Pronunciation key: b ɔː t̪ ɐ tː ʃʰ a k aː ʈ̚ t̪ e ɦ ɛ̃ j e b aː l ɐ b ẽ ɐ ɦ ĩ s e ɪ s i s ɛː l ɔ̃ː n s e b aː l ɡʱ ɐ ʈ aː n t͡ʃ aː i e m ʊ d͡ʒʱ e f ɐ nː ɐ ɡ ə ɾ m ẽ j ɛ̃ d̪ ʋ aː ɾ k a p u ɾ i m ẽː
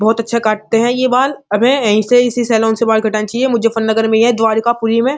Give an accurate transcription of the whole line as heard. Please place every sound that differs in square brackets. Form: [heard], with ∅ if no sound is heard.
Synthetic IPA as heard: b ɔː t̪ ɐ tː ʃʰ a k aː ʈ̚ t̪ e ɦ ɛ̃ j e b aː l ɐ b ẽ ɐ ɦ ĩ s e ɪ s i s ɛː l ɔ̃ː n s e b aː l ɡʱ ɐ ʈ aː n t͡ʃ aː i e m ʊ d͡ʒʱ e f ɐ nː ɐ ɡ ə ɾ m ẽ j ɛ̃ d̪ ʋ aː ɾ k a p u ɾ i m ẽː